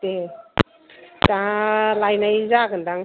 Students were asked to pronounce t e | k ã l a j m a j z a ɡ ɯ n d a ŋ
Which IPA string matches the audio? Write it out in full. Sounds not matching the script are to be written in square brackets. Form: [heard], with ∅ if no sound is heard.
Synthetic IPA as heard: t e | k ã l a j [n] a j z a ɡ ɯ n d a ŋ